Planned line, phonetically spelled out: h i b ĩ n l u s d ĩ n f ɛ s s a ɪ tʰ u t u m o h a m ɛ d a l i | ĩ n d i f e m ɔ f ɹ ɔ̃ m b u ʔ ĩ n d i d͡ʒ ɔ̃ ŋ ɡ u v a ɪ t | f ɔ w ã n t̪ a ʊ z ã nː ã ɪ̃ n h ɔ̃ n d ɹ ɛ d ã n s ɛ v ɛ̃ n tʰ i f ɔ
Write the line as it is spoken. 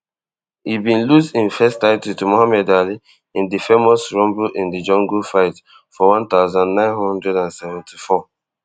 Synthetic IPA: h i b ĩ n l u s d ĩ n f ɛ s t a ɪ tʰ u t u m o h a m ɛ d a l i | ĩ n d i f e m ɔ s ɹ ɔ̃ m b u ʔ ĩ n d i d͡ʒ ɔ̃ ŋ ɡ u f a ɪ t | f ɔ w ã n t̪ a ʊ z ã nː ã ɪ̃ n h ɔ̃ n d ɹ ɛ d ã n s ɛ v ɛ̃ n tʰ i f ɔ